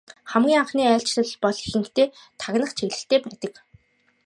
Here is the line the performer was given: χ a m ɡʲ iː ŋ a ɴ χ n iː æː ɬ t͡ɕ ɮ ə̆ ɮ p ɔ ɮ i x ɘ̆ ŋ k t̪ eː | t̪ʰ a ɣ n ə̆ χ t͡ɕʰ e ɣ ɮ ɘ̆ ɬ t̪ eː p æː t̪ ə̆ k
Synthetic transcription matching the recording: χ æ m ɡʲ iː ŋ a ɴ χ n iː æː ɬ t͡ɕ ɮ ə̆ ɮ p ɔ ɮ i x ɘ̆ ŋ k t̪ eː | t̪ʰ a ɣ n ə̆ χ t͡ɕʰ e ɣ ɮ ɘ̆ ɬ t̪ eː p æː t̪ ə̆ k